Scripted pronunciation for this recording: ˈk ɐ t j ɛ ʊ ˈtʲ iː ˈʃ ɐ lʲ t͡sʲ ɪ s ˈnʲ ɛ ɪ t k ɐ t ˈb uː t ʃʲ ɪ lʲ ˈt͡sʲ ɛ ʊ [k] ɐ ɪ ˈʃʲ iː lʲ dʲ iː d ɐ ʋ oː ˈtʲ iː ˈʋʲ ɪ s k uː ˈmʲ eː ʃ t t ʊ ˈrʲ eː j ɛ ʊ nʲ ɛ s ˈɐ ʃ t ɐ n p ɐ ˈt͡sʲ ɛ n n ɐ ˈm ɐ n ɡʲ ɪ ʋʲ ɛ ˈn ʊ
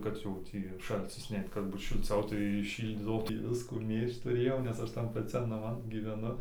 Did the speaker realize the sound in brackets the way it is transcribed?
no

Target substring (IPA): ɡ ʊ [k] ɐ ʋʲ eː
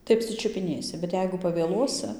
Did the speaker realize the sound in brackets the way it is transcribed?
no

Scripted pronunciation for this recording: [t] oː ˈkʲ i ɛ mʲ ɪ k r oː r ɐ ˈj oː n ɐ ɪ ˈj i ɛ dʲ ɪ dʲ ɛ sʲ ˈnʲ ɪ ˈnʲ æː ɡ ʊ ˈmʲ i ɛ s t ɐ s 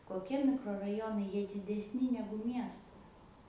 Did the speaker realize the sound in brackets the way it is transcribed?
no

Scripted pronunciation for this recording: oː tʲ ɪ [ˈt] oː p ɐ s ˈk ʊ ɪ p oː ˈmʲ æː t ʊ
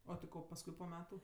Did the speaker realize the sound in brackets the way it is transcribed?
no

